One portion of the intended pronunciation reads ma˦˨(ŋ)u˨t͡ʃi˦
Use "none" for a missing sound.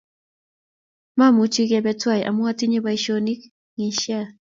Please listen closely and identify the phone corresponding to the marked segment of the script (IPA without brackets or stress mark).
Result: m